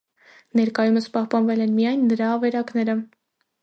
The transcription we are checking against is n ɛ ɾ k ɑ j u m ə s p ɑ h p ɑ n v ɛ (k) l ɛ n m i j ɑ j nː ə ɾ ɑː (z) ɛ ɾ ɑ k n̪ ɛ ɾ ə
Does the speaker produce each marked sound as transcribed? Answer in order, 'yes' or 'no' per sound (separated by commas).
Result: no, no